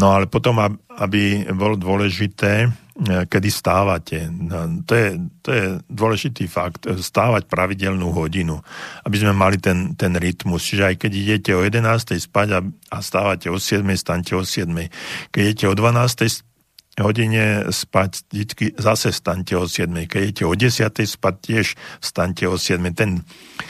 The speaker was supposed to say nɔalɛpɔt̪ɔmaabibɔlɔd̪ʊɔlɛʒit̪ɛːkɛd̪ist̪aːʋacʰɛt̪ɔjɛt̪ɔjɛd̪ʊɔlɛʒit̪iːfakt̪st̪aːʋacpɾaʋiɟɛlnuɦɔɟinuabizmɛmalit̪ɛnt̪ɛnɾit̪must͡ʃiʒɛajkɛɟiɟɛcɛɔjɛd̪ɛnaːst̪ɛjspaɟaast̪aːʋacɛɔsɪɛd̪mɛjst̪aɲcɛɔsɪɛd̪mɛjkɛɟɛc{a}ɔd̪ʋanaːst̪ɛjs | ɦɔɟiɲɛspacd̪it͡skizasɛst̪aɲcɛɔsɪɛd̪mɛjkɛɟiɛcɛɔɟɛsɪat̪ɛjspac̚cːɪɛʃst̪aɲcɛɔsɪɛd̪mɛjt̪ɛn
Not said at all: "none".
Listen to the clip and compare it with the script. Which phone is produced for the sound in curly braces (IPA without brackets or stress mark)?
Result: ɛ